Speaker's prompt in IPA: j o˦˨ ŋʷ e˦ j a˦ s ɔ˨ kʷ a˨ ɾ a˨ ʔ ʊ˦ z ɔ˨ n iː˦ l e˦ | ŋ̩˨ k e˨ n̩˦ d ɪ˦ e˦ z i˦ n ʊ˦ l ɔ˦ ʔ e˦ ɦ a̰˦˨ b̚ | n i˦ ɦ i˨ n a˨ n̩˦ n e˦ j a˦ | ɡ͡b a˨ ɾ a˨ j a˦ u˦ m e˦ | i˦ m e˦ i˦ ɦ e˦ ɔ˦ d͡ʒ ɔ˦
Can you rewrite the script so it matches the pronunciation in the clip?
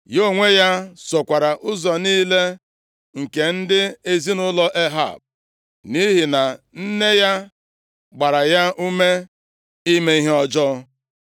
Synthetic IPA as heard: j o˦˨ ŋʷ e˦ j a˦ s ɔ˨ kʷ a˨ ɾ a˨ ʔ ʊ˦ z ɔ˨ n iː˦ l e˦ | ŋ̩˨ k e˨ n̩˦ d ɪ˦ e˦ z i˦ n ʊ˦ l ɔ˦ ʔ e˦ ɦ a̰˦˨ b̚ | n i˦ ɦ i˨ n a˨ n̩˦ n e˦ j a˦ | ɡ͡b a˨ ɾ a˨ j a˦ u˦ m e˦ | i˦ m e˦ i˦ ɦ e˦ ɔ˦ d͡ʒ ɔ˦

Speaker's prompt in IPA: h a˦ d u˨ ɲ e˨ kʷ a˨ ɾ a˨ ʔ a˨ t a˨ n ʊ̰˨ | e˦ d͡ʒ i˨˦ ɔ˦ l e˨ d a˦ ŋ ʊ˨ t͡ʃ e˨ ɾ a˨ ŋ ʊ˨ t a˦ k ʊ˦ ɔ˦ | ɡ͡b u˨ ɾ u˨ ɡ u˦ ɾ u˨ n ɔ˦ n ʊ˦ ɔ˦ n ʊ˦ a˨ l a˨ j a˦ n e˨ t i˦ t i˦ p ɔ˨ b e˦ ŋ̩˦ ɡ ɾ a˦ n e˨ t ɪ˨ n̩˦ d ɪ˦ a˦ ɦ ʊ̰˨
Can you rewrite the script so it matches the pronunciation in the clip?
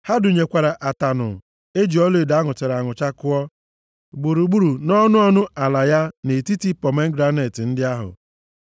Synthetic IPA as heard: h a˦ d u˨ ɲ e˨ kʷ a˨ ɾ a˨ ʔ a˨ t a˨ n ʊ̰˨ | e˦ d͡ʒ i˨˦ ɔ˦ l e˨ d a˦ ŋ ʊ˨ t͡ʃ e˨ ɾ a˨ ŋ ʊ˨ t͡ʃ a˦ k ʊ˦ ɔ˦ | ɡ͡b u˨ ɾ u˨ ɡ͡b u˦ ɾ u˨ n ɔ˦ n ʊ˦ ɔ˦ n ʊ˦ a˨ l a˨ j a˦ n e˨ t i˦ t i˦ p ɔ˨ m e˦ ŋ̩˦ ɡ ɾ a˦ n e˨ t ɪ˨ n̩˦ d ɪ˦ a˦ ɦ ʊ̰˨

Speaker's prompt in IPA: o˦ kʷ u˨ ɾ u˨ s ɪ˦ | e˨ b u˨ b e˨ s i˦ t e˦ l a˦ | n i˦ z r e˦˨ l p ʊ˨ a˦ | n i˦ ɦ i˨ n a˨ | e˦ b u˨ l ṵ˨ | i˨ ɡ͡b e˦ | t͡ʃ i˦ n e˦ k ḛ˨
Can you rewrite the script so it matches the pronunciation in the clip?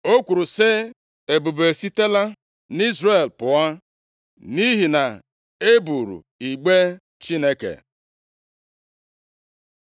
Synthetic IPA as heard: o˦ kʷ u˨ ɾ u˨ s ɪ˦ | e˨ b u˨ b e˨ s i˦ t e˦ l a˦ | n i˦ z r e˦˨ l p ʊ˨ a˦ | n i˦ ɦ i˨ n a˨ | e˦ b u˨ ɾ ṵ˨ | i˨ ɡ͡b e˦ | t͡ʃ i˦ n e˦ k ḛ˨

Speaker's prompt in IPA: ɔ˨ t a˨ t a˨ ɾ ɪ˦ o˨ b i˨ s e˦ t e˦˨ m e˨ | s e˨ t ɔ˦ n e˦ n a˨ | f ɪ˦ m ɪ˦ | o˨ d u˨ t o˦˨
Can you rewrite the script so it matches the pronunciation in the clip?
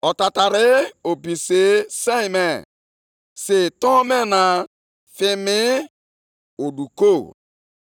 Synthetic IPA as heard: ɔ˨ t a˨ t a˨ ɾ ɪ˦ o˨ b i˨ s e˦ s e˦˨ m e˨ | s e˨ t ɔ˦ m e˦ n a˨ | f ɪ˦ m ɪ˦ | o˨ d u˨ k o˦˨

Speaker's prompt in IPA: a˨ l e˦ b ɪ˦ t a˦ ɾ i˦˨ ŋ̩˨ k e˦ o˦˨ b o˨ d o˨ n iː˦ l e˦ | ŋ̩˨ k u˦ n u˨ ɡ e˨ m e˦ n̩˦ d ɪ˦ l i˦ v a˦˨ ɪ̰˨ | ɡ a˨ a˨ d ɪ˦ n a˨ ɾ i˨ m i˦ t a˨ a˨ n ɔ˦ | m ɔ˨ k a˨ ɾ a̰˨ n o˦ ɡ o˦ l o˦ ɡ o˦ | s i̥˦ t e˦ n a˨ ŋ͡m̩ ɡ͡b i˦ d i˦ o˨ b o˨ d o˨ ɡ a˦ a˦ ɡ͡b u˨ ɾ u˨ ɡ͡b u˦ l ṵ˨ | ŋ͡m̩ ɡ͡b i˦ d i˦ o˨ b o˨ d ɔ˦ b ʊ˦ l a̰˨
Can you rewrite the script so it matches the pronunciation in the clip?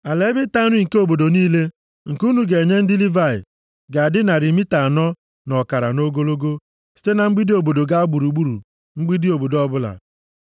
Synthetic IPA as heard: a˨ l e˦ b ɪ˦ t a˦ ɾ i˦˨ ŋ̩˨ k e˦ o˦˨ b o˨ d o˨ n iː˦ l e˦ | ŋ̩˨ k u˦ n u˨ ɡ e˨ ɲ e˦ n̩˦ d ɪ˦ l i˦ v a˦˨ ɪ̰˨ | ɡ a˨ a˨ d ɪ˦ n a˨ ɾ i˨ m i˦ t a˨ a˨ n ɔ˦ | n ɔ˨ k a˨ ɾ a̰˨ n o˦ ɡ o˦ l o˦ ɡ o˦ | s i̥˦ t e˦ n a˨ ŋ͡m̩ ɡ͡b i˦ d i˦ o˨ b o˨ d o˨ ɡ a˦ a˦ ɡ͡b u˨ ɾ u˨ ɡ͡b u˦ ɾ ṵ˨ | ŋ͡m̩ ɡ͡b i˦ d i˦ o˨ b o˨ d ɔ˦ b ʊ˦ l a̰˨

